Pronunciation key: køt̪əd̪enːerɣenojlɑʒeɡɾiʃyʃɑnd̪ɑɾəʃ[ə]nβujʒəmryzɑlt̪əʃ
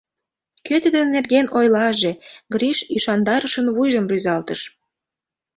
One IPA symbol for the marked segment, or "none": ə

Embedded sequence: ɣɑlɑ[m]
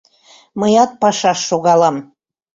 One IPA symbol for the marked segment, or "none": m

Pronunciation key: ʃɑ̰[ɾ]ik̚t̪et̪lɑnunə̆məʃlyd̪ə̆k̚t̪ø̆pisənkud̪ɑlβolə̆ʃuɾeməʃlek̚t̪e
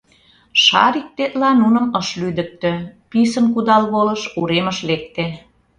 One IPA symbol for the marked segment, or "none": ɾ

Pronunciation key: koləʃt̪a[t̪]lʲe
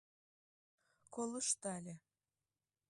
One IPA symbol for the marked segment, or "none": none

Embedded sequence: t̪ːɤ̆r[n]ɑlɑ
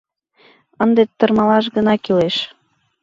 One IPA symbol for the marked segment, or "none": m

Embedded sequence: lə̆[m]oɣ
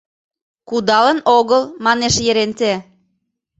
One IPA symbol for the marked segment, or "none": n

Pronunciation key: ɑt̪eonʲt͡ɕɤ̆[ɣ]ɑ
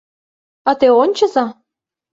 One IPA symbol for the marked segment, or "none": z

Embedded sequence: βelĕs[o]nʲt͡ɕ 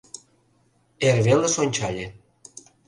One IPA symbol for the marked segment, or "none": o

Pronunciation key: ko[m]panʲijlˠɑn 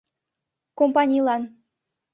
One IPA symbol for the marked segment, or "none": m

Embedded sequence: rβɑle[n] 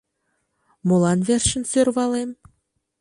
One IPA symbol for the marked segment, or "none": m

